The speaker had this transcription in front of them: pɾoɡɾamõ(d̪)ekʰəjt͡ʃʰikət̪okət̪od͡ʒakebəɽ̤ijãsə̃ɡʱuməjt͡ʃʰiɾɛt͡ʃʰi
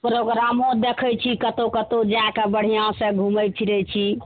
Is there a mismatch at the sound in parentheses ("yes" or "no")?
no